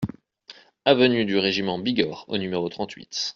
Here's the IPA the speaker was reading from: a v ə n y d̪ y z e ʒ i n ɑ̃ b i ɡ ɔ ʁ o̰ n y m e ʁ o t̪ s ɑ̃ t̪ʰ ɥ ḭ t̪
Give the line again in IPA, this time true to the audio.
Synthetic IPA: a v ə n y d̪ y ʁ e ʒ i m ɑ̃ b i ɡ ɔ ʁ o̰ n y m e ʁ o t̪ χ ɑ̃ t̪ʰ ɥ ḭ t̪